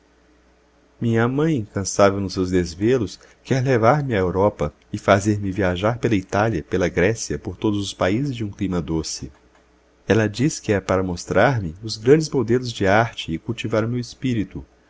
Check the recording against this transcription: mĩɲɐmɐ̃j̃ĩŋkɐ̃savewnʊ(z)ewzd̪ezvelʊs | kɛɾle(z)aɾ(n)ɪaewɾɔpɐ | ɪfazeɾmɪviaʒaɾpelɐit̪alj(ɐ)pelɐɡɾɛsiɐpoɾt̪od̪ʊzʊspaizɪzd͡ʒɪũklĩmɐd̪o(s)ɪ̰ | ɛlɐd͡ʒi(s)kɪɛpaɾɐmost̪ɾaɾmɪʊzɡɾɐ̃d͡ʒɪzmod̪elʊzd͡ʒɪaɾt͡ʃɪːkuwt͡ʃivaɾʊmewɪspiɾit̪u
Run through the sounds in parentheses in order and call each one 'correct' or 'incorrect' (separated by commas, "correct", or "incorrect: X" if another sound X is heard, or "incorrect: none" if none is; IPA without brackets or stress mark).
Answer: incorrect: s, incorrect: v, incorrect: m, correct, correct, correct